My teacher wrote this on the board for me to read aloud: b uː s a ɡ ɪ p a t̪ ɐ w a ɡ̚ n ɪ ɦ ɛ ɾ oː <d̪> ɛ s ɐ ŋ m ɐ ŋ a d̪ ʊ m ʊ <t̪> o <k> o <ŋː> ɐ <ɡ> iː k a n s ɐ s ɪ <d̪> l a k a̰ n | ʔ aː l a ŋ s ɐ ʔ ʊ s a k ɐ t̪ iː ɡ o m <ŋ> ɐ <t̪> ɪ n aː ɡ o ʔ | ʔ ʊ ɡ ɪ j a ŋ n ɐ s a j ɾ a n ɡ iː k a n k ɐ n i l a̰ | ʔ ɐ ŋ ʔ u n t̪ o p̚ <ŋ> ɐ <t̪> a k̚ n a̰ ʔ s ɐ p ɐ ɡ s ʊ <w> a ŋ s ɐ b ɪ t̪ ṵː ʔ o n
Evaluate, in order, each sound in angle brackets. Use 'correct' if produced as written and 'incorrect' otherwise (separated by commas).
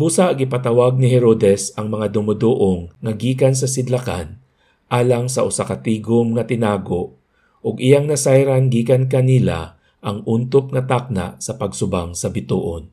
correct, incorrect, incorrect, correct, correct, correct, correct, correct, correct, correct, incorrect